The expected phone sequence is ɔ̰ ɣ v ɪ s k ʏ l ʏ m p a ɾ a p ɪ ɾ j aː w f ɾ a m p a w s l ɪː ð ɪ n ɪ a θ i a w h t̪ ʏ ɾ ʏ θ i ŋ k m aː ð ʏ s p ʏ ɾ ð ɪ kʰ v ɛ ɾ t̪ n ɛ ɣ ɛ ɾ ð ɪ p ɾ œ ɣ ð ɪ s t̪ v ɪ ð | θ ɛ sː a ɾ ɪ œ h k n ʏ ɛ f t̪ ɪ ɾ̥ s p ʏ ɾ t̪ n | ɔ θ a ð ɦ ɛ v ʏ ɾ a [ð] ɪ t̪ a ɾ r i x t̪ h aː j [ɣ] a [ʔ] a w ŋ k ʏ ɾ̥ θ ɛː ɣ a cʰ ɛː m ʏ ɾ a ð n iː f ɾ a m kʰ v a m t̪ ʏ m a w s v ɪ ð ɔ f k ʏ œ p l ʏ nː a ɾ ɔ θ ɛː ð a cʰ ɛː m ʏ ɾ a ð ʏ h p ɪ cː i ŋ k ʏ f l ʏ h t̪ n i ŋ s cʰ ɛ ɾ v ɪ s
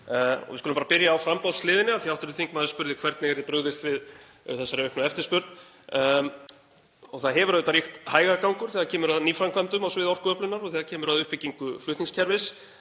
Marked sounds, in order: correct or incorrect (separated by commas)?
correct, correct, incorrect